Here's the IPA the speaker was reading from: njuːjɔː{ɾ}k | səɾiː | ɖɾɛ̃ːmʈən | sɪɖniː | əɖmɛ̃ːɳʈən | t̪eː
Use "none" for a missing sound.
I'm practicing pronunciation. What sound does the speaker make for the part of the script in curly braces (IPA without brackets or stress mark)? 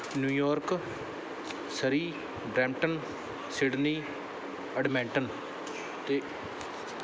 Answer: ɾ